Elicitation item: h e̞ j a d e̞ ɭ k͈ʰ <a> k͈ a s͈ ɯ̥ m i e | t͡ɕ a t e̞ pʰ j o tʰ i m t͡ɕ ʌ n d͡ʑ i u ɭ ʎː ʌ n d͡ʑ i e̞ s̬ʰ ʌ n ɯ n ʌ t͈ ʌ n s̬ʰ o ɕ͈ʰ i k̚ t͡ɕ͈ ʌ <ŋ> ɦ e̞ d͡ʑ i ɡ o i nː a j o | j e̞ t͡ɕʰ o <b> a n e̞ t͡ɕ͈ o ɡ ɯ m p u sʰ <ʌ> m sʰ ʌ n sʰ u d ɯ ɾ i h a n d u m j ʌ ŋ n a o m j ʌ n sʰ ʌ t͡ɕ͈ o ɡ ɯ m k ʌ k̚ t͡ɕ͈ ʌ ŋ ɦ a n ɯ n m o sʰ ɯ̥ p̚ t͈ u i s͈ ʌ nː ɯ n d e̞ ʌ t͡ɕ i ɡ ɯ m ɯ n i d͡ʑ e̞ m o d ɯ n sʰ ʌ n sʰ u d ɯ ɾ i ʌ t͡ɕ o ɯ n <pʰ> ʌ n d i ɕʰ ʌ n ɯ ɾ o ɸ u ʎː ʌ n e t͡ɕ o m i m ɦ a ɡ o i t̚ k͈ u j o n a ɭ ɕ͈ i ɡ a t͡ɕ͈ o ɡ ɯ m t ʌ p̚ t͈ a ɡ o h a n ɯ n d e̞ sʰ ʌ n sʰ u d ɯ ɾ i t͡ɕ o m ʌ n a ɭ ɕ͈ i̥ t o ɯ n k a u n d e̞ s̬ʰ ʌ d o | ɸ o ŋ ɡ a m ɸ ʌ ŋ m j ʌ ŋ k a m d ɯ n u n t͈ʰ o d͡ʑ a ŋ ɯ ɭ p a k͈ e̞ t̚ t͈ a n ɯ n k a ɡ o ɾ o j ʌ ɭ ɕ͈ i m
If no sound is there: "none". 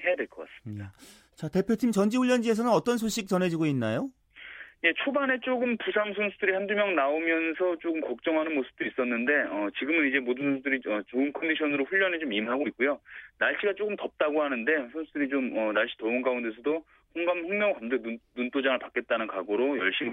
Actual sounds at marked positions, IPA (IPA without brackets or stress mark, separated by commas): ʌ, n, b, a, kʰ